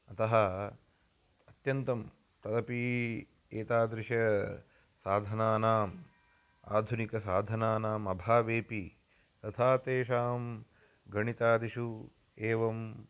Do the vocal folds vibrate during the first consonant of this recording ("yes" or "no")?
no